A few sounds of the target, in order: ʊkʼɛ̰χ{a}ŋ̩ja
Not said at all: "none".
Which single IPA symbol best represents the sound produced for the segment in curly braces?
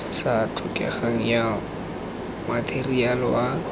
a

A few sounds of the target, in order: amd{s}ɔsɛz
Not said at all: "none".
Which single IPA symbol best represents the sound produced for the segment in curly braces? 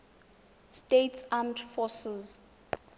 f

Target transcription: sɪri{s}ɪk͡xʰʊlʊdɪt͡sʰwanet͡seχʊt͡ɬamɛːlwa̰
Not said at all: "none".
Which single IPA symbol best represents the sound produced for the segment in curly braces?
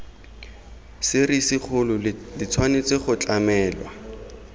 s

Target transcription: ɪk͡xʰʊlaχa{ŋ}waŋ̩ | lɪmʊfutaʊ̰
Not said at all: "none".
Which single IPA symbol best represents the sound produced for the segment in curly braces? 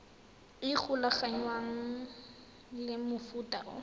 ɲ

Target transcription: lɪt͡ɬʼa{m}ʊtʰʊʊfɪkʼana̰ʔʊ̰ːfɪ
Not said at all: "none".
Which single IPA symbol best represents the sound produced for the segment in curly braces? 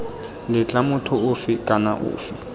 m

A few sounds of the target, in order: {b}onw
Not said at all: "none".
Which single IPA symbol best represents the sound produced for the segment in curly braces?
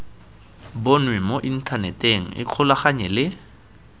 b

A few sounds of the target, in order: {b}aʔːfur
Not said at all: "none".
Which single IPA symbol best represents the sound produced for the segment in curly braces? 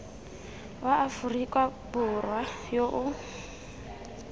w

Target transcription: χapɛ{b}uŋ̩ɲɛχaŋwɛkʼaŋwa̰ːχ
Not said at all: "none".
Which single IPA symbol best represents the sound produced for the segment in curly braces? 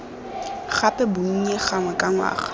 b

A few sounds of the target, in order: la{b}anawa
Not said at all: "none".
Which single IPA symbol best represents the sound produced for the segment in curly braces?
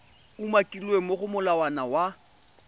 w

